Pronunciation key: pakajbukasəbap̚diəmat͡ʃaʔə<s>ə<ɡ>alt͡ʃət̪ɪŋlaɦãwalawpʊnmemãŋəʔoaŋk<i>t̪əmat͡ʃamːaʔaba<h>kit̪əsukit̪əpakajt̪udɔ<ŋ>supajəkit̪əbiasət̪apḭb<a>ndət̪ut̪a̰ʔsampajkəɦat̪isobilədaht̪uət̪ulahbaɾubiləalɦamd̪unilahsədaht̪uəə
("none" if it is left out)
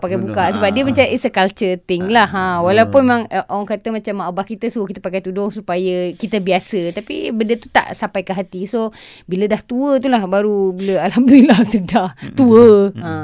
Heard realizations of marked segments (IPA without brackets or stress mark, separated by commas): s, k, a, h, ŋ, ə